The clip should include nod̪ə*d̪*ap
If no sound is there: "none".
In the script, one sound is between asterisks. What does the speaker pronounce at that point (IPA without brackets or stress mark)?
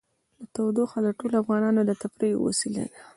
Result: t̪